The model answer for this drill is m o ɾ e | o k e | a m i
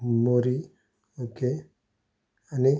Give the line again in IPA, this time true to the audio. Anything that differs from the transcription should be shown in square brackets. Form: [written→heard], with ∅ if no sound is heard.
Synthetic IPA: m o ɾ [e→i] | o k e | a [m→n] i